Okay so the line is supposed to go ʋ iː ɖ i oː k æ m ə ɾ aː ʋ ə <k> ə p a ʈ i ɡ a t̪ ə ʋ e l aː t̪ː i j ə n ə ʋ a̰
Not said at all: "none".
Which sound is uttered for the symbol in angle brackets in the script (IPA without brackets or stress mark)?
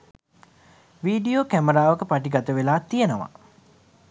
k